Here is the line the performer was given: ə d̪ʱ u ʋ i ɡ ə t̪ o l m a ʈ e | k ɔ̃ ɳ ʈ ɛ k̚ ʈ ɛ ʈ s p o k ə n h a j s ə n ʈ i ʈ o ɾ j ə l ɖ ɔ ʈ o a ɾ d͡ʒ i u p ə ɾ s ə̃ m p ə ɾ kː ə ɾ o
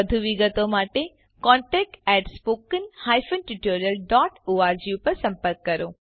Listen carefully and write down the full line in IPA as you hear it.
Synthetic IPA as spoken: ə d̪ʱ u ʋ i ɡ ə t̪ o m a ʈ e | k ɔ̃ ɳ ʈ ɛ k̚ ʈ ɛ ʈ s p o k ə n h a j f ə n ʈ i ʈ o ɾ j ə l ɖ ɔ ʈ o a ɾ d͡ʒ i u p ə ɾ s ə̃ m p ə ɾ kː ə ɾ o